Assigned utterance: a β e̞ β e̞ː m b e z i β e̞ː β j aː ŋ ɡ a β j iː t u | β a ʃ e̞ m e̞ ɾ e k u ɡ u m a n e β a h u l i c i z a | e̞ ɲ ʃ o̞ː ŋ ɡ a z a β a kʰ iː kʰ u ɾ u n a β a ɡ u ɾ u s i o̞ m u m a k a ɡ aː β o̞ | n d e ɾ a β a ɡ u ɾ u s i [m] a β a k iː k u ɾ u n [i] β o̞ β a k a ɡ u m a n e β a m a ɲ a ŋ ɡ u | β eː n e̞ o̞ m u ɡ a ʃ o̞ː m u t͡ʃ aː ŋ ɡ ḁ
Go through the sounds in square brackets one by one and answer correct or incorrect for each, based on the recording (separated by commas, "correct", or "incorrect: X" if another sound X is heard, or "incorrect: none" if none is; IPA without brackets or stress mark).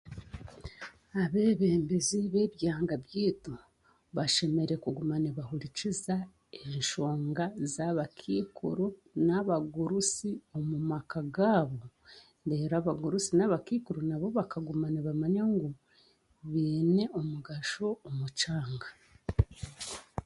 incorrect: n, incorrect: a